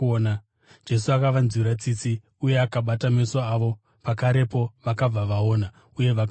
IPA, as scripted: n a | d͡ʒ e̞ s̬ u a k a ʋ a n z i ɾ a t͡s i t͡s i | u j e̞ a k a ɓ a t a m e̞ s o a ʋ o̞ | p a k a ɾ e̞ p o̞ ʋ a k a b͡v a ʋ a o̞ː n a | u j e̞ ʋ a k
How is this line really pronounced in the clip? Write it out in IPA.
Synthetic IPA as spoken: n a | d͡ʒ e̞ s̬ u a k a ʋ a n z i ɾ a t͡s i t͡s i | u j e̞ a k a ɓ a t a m e̞ s o a ʋ o̞ | p a k a ɾ e̞ p o̞ ʋ a k a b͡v a ʋ a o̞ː n a | u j e̞ ʋ a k